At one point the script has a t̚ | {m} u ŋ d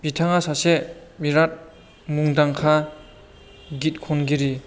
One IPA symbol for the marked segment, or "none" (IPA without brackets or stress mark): m